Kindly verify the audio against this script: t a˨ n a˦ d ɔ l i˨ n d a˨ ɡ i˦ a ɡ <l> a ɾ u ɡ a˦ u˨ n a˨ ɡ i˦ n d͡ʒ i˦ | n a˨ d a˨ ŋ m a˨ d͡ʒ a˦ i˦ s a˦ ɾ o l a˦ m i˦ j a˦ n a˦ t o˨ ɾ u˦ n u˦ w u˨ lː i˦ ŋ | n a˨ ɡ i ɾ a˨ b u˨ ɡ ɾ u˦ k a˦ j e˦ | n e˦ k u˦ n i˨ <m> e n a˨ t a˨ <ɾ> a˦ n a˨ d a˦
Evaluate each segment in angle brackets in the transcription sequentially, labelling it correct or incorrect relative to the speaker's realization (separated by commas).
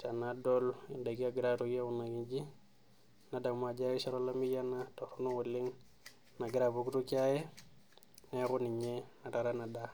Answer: incorrect, incorrect, correct